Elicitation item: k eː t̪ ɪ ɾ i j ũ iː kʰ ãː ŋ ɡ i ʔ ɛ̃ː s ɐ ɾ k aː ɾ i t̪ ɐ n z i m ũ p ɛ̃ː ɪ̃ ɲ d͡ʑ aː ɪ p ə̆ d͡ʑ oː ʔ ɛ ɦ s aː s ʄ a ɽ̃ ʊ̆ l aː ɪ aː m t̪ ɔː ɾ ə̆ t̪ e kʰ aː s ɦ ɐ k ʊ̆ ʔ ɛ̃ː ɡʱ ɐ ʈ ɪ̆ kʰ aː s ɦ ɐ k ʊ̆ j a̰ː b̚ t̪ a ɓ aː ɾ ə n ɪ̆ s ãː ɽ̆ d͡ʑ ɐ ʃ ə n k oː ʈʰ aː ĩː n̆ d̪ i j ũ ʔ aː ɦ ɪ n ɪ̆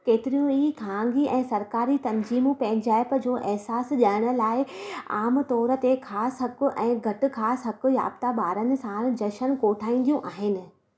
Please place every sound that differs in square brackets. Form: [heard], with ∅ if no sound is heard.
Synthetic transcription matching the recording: k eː t̪ ɪ ɾ i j ũ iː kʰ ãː ŋ ɡ i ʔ ɛ̃ː s ɐ ɾ k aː ɾ i t̪ ɐ n z [iː] m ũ p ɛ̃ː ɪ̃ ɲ d͡ʑ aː ɪ p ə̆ d͡ʑ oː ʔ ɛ ɦ s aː s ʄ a ɽ̃ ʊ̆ l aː ɪ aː m t̪ ɔː ɾ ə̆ t̪ e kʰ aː s ɦ ɐ k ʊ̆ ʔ ɛ̃ː ɡʱ ɐ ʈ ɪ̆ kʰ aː s ɦ ɐ k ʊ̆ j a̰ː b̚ t̪ a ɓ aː ɾ ə n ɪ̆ s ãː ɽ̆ d͡ʑ ɐ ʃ ə n k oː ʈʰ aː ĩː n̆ d̪ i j ũ ʔ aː ɦ ɪ n ɪ̆